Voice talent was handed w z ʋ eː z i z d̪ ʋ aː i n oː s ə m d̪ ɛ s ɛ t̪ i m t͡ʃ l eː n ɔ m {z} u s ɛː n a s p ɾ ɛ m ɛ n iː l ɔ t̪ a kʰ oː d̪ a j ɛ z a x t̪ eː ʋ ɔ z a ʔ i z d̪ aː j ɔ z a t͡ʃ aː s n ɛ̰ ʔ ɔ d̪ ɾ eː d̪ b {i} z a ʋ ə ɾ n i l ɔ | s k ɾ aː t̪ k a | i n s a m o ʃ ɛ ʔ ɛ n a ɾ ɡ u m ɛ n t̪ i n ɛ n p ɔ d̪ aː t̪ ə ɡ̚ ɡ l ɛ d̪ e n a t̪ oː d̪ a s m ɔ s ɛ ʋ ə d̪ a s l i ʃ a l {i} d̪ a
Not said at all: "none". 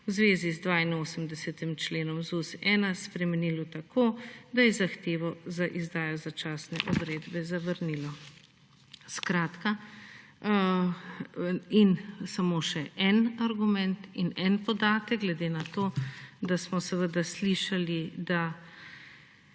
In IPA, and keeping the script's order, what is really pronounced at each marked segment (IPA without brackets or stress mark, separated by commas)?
z, ɛ, i